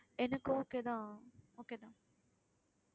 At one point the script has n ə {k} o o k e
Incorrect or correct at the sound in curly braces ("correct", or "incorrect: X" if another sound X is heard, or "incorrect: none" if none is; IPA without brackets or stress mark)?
correct